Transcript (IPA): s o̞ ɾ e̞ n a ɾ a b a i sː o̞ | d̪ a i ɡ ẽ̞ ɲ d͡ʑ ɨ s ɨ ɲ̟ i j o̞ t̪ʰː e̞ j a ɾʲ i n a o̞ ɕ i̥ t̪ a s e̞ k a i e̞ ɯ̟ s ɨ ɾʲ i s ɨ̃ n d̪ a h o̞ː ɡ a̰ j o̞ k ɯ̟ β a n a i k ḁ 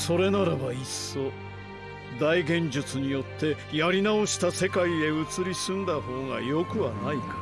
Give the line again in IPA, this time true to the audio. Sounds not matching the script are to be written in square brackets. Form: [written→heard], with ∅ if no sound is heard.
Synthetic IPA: s o̞ ɾ e̞ n a ɾ a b a i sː o̞ | d̪ a i ɡ ẽ̞ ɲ d͡ʑ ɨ [s→t͡s] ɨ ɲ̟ i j o̞ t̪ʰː e̞ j a ɾʲ i n a o̞ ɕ i̥ t̪ a s e̞ k a i e̞ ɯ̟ [s→t͡s] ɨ ɾʲ i s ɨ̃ n d̪ a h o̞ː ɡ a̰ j o̞ k ɯ̟ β a n a i k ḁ